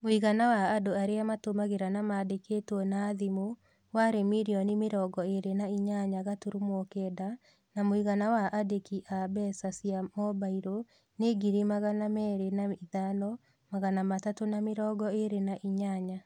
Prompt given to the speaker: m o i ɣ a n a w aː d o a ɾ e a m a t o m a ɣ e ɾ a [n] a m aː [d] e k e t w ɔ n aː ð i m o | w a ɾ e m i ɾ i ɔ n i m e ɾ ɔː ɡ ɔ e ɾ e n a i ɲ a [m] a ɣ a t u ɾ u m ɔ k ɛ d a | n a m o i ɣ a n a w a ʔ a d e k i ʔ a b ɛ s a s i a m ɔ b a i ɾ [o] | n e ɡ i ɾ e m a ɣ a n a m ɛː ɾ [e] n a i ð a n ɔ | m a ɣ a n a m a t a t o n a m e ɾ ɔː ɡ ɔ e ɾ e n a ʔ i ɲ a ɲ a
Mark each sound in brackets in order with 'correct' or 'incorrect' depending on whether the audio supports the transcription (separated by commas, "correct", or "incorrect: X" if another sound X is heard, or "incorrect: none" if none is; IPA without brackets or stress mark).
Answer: correct, correct, incorrect: ɲ, correct, correct